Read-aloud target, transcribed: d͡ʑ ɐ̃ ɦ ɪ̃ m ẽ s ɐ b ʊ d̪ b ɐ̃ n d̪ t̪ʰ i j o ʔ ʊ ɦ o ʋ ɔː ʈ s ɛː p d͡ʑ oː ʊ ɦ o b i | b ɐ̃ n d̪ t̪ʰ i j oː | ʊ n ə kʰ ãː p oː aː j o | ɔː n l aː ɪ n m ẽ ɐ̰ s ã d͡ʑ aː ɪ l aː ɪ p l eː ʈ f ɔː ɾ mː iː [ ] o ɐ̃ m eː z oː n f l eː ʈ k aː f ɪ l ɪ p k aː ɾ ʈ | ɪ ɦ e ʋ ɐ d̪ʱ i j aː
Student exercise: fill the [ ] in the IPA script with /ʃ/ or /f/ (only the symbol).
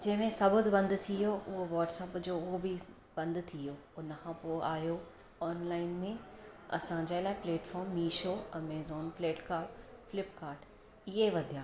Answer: ʃ